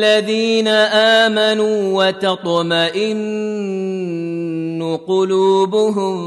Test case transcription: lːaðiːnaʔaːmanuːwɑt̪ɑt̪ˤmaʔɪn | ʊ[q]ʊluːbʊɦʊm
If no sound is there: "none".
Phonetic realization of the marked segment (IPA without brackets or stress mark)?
q